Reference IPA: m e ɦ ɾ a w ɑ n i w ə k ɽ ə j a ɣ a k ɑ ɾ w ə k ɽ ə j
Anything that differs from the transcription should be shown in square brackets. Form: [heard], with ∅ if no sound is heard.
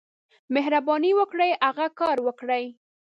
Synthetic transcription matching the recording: m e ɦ ɾ a [b] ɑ n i w ə k ɽ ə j a ɣ a k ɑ ɾ w ə k ɽ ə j